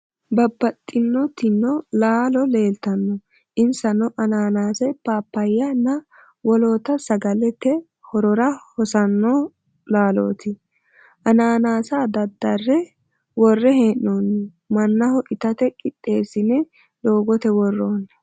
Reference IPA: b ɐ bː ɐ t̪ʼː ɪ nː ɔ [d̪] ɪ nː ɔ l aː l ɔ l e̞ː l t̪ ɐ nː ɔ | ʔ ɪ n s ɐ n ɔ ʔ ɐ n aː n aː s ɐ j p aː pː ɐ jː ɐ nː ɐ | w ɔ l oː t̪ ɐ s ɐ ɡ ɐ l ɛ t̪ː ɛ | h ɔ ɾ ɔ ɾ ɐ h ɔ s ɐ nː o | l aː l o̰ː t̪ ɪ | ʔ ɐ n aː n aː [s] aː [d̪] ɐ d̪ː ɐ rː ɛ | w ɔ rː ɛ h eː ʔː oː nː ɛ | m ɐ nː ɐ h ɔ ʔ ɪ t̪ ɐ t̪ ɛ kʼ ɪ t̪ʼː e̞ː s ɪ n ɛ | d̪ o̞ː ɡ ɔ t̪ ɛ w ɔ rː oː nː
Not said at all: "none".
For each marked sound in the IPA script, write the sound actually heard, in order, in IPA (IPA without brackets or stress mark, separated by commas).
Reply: t̪, s, d̪